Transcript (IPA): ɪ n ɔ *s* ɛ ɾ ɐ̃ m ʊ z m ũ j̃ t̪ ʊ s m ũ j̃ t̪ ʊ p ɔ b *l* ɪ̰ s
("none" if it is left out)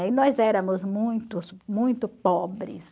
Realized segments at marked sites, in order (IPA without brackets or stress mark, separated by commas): z, ɾ